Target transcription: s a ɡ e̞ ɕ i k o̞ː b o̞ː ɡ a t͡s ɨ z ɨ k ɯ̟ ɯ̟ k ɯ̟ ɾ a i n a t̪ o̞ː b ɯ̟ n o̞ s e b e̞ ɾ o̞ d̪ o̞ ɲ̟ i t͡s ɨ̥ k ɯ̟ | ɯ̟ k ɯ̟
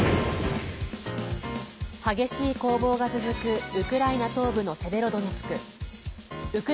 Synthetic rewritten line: h a ɡ e̞ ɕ iː k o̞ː b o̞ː ɡ a t͡s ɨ z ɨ k ɯ̟ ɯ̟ k ɯ̟ ɾ a i n a t̪ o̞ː b ɯ̟ n o̞ s e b e̞ ɾ o̞ d̪ o̞ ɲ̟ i t͡s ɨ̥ k ɯ̟ | ɯ̟ k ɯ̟

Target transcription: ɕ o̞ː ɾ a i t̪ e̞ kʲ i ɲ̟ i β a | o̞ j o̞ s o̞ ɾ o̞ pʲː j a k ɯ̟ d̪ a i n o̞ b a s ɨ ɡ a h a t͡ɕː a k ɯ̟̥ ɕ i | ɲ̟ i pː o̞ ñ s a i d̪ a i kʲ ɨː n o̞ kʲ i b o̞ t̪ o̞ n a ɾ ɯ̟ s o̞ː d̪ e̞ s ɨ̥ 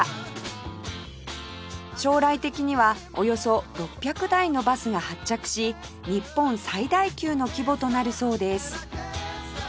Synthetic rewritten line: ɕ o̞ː ɾ a i t̪ e̞ kʲ i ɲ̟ i β a | o̞ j o̞ s o̞ ɾ o̞ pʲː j a k ɯ̟ d̪ a i n o̞ b a s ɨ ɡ a h a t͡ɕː a k ɯ̟̥ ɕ i | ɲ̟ i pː õ̞ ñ s a i d̪ a i kʲ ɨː n o̞ kʲ i b o̞ t̪ o̞ n a ɾ ɯ̟ s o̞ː d̪ e̞ s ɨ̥

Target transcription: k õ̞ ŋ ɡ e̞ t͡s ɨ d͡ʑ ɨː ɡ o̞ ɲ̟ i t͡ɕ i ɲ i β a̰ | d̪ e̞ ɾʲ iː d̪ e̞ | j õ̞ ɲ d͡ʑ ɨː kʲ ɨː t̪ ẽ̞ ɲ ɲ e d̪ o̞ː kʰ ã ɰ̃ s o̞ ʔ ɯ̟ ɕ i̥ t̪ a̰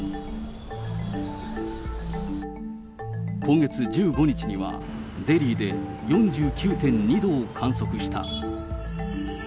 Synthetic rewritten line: k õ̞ ŋ ɡ e̞ t͡s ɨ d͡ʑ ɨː ɡ o̞ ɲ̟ i t͡ɕ i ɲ i β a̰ | d̪ e̞ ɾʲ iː d̪ e̞ | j õ̞ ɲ d͡ʑ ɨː kʲ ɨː t̪ ẽ̞ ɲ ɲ i d̪ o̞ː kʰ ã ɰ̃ s o̞ k ɯ̟ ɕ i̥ t̪ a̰

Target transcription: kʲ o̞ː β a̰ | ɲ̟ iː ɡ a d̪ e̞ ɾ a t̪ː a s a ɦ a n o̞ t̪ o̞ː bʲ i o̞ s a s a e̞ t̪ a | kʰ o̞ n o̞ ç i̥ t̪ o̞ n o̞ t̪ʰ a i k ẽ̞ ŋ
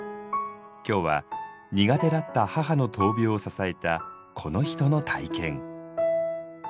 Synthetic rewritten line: kʲ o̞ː β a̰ | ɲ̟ i ɡ a t̪ e̞ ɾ a t̪ː a h a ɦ a n o̞ t̪ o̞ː bʲ i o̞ s a s a e̞ t̪ a | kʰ o̞ n o̞ ç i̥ t̪ o̞ n o̞ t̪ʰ a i k ẽ̞ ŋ

